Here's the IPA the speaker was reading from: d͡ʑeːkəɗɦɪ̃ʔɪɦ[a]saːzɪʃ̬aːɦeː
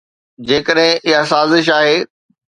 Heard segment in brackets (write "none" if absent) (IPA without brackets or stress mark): a